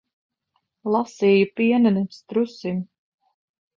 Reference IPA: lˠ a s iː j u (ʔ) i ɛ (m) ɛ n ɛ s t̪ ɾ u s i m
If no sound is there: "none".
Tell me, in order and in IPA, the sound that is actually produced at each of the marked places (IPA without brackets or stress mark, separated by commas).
p, n